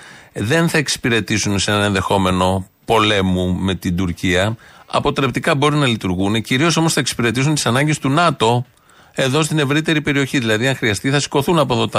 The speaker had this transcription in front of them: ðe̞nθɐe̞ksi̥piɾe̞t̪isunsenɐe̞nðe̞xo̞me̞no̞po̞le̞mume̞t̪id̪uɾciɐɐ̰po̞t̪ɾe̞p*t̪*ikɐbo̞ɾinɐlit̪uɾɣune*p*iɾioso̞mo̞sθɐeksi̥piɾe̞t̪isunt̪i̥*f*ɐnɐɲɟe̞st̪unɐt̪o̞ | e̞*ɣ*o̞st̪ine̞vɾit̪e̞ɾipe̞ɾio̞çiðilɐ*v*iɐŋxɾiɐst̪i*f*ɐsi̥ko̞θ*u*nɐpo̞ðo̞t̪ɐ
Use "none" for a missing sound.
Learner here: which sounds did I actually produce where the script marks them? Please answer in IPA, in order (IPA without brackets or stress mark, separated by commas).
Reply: t̪, c, s, ð, ð, θ, u